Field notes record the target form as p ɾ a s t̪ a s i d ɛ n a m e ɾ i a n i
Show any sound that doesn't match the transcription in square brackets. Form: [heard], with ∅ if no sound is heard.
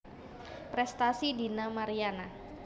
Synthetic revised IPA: p ɾ [ɛ] s t̪ a s i d [i] n a m [a] ɾ i a n [a]